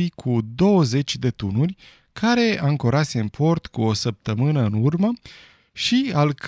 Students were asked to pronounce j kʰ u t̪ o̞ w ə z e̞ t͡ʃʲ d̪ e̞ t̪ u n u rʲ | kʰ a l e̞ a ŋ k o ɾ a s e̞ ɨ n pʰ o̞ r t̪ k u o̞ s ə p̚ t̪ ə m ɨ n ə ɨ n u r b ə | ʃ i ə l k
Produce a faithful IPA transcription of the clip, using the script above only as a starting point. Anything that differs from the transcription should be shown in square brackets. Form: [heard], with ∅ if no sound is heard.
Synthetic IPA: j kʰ u [d̪] o̞ w ə z e̞ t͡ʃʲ d̪ e̞ t̪ u n u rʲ | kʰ a [ɾ] e̞ a ŋ k o ɾ a s e̞ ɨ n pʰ o̞ r t̪ k u o̞ s ə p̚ t̪ ə m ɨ n ə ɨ n u r [m] ə | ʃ i [a] l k